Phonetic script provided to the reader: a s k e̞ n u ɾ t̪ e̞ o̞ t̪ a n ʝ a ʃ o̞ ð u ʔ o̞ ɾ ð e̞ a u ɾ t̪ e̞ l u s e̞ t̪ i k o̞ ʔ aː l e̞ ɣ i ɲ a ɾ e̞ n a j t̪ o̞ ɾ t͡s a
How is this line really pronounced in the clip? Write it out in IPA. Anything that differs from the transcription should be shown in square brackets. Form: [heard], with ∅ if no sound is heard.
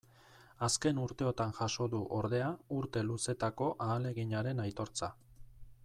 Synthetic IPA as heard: a s k e̞ n u ɾ t̪ e̞ o̞ t̪ a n ʝ a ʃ o̞ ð u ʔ o̞ ɾ ð e̞ a u ɾ t̪ e̞ l u s e̞ t̪ [a] k o̞ ʔ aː l e̞ ɣ i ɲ a ɾ e̞ n a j t̪ o̞ ɾ t͡s a